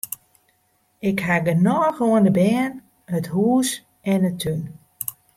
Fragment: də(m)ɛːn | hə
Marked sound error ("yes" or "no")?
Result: yes